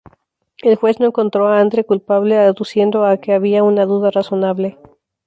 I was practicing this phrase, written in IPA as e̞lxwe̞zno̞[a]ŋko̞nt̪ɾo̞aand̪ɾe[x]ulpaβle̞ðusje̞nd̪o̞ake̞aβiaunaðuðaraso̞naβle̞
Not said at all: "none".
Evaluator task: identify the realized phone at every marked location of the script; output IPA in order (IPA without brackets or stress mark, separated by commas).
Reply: e, k